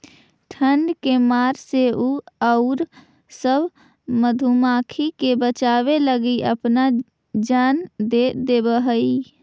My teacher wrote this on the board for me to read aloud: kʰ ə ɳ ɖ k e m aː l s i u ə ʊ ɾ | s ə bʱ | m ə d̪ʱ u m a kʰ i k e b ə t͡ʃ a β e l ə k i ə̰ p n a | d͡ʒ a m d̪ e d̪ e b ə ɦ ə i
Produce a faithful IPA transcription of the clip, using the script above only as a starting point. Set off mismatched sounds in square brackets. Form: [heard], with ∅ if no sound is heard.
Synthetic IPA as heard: [ʈʰ] ə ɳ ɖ k e m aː [ɾ] s [e] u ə ʊ ɾ | s ə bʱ | m ə d̪ʱ u m a kʰ i k e b ə t͡ʃ a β e l ə [ɡ] i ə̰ p n a | d͡ʒ a [n] d̪ e d̪ e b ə ɦ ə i